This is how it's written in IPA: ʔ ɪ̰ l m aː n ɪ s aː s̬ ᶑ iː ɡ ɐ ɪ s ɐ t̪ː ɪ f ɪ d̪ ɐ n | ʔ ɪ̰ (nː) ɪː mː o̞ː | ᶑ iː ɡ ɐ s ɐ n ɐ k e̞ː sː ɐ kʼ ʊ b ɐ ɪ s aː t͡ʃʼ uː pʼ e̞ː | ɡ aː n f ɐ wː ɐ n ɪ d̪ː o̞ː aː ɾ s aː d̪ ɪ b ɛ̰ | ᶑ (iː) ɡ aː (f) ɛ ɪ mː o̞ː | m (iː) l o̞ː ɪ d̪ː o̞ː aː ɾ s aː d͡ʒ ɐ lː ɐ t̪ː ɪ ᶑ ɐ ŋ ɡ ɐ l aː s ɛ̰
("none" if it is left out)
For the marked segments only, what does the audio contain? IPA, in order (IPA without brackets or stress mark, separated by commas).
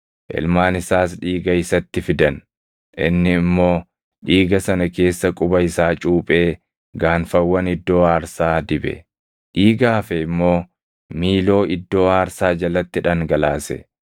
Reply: nː, iː, f, iː